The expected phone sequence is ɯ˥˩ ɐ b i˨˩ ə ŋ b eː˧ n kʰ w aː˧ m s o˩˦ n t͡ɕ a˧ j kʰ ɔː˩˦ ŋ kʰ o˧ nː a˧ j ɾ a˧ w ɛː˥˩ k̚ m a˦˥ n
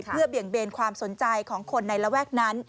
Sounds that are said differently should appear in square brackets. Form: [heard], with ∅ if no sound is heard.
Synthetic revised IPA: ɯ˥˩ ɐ b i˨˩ ə ŋ b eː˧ n kʰ w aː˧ m s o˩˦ n t͡ɕ a˧ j kʰ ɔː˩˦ ŋ kʰ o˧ nː a˧ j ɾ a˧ w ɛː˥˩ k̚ [n] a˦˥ n